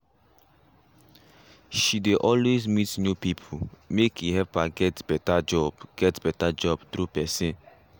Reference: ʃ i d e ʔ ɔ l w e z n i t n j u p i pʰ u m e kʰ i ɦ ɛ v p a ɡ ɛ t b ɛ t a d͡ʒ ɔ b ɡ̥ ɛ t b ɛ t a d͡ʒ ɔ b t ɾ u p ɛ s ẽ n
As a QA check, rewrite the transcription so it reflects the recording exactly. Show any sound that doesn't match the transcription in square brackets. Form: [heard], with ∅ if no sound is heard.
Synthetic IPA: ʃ i d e ʔ ɔ l w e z [m] i t n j u p i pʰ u m e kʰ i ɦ ɛ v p a ɡ ɛ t b ɛ t a d͡ʒ ɔ b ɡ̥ ɛ t b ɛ t a d͡ʒ ɔ b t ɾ u p ɛ s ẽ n